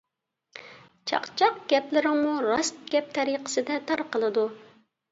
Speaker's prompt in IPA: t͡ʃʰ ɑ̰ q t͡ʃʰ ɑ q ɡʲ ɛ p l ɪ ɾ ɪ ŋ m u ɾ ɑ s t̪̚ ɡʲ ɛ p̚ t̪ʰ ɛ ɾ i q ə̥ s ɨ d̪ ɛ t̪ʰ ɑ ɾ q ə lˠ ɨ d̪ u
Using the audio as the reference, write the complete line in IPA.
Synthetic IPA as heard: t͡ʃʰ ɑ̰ q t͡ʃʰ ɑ q ɡʲ ɛ p l ɪ ɾ ɪ ŋ m u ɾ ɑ s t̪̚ ɡʲ ɛ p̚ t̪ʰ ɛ ɾ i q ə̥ s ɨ d̪ ɛ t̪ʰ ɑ ɾ q ə lˠ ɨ d̪ u